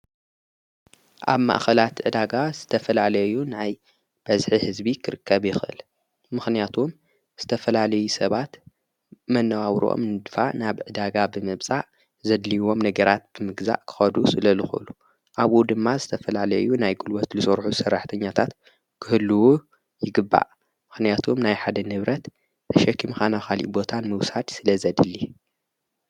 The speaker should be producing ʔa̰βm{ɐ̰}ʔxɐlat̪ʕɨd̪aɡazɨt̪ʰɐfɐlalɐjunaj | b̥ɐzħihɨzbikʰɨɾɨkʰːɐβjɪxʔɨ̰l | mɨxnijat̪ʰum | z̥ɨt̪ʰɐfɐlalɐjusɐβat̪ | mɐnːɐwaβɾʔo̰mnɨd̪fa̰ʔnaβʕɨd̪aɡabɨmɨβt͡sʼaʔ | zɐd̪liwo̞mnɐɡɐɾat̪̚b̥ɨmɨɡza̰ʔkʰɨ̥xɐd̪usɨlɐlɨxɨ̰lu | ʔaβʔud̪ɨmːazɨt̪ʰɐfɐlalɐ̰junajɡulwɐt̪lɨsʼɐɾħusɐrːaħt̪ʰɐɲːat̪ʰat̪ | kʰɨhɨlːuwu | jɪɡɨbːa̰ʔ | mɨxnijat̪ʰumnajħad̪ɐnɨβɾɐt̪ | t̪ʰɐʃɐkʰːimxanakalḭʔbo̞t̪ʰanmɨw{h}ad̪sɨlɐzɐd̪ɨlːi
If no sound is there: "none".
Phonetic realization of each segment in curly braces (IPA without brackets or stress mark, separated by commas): a̰, s